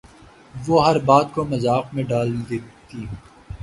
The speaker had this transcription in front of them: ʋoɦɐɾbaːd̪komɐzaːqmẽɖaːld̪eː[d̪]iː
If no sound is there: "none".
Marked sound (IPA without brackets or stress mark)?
t̪